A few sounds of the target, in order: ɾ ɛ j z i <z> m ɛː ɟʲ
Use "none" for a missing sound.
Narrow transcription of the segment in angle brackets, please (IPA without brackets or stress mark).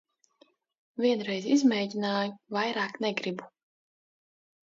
z